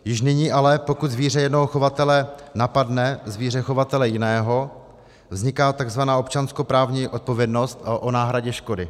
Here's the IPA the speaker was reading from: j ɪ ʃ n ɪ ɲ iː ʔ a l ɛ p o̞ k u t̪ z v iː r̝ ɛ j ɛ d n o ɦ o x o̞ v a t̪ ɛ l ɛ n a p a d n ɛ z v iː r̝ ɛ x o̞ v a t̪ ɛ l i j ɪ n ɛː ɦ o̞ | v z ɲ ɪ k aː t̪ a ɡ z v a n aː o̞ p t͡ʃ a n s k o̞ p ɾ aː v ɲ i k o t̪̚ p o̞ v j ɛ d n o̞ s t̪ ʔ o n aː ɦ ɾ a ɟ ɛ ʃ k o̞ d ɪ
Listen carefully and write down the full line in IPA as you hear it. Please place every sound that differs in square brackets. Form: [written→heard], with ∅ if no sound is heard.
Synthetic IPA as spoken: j ɪ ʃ n ɪ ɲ iː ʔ a l ɛ p o̞ k u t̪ z v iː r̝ ɛ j ɛ d n o ɦ o x o̞ v a t̪ ɛ l ɛ n a p a d n ɛ z v iː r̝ ɛ x o̞ v a t̪ ɛ l [i→ɛ] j ɪ n ɛː ɦ o̞ | v z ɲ ɪ k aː t̪ a ɡ z v a n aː o̞ p t͡ʃ a n s k o̞ p ɾ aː v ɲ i [k→ʔ] o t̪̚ p o̞ v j ɛ d n o̞ s t̪ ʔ o n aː ɦ ɾ a ɟ ɛ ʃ k o̞ d ɪ